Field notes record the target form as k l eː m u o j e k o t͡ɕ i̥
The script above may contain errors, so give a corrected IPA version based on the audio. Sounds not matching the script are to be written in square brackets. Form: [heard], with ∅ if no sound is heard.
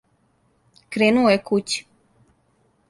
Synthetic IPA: k [ɾ] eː [n] u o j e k [u] t͡ɕ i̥